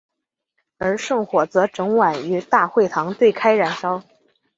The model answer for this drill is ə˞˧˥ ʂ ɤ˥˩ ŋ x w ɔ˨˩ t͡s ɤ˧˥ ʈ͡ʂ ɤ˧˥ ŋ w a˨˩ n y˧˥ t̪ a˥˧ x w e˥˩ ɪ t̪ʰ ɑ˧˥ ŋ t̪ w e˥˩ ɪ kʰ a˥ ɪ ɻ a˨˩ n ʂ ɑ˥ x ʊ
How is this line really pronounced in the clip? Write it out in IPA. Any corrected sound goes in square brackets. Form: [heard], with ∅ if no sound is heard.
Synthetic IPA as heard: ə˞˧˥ ʂ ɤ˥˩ ŋ x w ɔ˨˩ t͡s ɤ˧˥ ʈ͡ʂ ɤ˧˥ ŋ w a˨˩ n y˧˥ t̪ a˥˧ x w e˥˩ ɪ t̪ʰ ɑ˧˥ ŋ t̪ w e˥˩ ɪ kʰ a˥ ɪ ɻ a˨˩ n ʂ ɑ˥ [∅] ʊ